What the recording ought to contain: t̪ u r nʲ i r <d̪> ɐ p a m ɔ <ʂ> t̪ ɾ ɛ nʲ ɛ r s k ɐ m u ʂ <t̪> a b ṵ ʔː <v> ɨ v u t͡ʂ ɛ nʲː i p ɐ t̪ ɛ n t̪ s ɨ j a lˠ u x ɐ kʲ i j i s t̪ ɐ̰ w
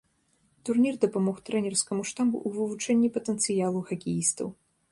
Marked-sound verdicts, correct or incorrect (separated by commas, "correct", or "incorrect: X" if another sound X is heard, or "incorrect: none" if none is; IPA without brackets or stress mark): correct, incorrect: x, correct, correct